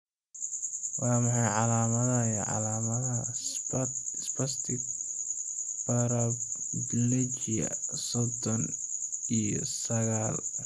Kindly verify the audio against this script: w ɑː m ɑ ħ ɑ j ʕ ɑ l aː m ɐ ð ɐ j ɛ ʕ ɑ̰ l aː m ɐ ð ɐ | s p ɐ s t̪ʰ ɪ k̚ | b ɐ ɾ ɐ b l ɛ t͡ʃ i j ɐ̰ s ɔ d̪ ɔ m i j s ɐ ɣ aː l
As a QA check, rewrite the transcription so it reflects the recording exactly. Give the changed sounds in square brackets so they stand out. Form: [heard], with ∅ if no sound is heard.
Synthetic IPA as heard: w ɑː m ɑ ħ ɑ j ʕ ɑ l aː m ɐ ð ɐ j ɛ ʕ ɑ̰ l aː m ɐ ð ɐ | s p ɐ s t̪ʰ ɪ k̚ | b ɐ ɾ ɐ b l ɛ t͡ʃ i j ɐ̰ s ɔ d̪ ɔ [n] i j s ɐ ɣ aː l